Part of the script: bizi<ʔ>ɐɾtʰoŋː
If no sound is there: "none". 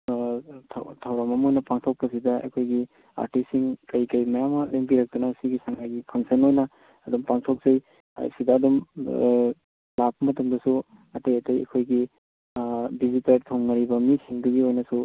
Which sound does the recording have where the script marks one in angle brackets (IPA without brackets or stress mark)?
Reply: t